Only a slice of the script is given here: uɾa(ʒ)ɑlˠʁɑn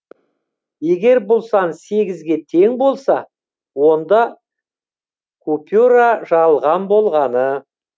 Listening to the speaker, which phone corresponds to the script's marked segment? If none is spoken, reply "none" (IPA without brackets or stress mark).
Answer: ʒ